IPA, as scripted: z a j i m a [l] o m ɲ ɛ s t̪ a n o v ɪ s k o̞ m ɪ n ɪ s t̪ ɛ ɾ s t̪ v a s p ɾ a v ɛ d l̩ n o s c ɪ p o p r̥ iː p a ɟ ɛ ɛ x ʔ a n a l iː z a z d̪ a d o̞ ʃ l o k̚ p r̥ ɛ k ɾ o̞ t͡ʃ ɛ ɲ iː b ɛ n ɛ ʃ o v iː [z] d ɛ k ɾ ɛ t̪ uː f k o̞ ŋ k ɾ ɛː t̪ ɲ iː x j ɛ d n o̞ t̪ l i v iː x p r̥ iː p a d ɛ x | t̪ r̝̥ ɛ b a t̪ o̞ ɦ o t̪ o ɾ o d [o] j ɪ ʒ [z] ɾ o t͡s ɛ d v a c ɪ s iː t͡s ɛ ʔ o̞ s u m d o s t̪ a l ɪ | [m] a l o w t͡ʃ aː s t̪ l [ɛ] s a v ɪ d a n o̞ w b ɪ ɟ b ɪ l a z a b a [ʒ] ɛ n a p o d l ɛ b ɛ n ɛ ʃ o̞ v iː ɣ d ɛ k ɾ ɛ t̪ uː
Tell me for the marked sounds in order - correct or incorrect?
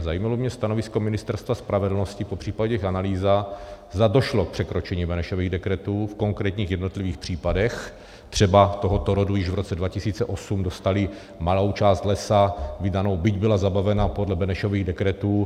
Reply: correct, incorrect, incorrect, incorrect, correct, correct, incorrect

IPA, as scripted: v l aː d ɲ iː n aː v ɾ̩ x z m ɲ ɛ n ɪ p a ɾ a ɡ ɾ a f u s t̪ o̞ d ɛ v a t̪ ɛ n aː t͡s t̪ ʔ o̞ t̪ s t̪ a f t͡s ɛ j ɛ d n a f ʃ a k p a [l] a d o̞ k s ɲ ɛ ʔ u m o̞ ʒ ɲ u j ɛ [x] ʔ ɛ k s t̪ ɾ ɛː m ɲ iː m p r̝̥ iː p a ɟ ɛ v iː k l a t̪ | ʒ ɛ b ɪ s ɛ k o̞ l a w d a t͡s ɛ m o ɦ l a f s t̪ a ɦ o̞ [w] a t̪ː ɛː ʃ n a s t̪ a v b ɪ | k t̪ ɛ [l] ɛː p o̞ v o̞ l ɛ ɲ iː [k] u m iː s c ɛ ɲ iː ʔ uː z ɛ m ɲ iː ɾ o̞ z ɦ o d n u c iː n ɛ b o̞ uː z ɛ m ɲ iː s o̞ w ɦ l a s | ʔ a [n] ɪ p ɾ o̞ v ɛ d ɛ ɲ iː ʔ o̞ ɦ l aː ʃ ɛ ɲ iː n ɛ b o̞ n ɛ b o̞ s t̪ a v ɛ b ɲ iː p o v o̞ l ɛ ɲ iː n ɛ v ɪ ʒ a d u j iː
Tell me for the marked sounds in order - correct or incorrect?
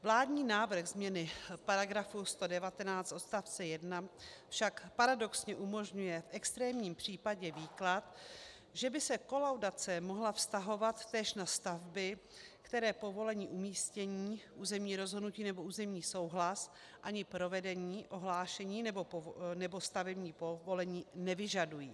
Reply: incorrect, incorrect, incorrect, incorrect, incorrect, incorrect

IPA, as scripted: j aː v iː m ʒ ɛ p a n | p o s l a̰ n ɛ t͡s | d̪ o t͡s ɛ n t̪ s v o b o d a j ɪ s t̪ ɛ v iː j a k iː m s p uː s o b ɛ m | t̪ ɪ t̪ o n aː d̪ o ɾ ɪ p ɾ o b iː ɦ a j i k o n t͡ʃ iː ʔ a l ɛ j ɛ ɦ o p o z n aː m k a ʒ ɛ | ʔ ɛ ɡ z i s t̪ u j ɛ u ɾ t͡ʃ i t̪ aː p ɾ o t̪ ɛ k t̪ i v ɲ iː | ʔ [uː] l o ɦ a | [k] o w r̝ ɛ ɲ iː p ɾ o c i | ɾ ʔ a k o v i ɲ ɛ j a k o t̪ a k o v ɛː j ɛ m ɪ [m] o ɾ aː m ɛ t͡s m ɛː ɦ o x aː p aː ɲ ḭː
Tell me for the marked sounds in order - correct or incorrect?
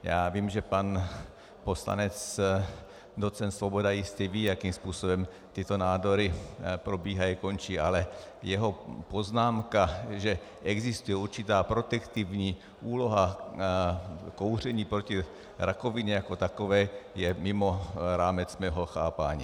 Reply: correct, correct, correct

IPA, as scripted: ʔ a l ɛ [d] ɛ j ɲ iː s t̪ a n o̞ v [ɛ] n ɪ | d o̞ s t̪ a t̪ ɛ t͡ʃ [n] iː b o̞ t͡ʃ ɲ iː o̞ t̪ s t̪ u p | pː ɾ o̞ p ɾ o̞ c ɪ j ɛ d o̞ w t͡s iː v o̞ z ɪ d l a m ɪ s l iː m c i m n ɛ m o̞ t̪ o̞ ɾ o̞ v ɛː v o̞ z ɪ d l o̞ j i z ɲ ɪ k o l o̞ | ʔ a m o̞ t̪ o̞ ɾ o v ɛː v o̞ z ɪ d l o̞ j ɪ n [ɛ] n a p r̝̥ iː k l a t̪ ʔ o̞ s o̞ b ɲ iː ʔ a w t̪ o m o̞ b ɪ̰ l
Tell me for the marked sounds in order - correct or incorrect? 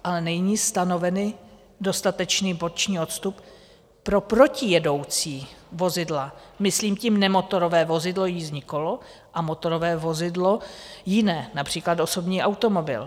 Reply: incorrect, correct, correct, incorrect

